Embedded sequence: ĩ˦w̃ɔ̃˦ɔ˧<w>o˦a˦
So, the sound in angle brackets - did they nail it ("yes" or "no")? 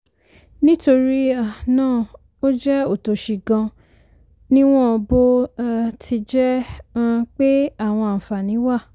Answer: no